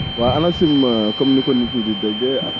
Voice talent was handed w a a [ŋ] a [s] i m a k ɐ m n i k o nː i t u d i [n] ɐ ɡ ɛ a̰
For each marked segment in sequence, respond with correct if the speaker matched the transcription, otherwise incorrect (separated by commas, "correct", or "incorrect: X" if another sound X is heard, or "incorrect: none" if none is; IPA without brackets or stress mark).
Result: incorrect: n, correct, incorrect: d